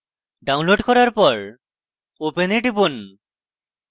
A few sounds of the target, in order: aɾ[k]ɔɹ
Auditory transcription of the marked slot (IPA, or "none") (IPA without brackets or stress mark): p